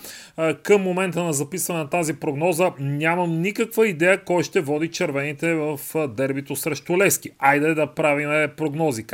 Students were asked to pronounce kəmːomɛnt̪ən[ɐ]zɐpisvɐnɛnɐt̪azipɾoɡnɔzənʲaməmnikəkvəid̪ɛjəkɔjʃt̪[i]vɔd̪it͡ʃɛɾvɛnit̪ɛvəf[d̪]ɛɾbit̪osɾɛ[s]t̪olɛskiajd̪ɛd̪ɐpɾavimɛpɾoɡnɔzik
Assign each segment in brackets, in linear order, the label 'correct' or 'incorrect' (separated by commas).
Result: correct, incorrect, correct, incorrect